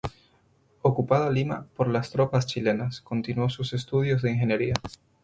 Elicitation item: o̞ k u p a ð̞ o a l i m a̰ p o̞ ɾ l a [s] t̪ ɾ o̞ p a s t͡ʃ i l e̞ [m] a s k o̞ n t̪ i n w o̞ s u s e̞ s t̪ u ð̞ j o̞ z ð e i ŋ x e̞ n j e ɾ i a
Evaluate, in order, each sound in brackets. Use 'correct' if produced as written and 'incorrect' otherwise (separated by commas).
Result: correct, incorrect